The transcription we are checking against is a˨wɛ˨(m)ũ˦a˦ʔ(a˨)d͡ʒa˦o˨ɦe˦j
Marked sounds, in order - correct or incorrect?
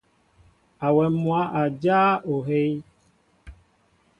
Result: correct, correct

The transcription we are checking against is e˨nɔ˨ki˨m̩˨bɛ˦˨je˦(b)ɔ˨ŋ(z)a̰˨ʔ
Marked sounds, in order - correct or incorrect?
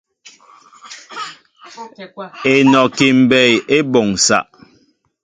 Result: correct, incorrect: s

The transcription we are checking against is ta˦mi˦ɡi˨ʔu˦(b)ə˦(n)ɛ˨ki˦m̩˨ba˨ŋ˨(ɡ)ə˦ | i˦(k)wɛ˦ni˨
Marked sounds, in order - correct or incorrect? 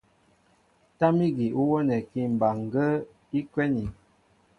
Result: incorrect: w, correct, correct, correct

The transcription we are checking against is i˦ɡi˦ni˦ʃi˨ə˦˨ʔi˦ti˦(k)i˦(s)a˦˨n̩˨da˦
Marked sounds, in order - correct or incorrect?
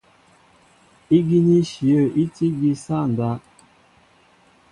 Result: incorrect: ɡ, correct

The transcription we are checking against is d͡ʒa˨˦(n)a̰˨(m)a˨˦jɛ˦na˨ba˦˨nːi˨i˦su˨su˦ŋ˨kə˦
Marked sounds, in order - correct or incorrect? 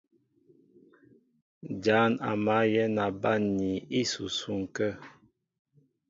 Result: correct, correct

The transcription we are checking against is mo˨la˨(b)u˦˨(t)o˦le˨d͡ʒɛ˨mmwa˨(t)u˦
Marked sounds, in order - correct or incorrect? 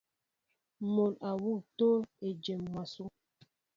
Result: incorrect: w, correct, incorrect: s

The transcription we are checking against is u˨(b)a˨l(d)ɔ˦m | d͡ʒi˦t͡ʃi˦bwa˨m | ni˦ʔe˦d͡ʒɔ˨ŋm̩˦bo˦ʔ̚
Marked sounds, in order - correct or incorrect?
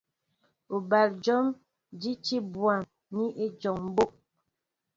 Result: correct, incorrect: d͡ʒ

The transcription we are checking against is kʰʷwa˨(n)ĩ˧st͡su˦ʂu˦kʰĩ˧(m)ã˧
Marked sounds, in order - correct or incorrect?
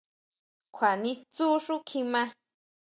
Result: correct, correct

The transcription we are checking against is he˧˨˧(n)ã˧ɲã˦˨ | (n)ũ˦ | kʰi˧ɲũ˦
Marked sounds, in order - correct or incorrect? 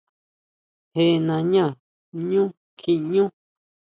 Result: correct, incorrect: ɲ

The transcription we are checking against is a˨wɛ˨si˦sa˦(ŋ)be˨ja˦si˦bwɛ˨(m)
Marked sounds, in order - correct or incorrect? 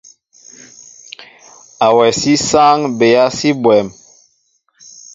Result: correct, correct

